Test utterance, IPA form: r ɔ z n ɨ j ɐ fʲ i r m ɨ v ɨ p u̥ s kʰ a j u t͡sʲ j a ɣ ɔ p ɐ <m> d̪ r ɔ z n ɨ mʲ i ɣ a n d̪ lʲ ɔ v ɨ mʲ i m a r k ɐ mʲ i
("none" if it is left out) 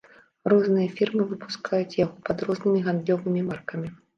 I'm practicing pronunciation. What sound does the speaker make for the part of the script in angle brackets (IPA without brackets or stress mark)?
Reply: none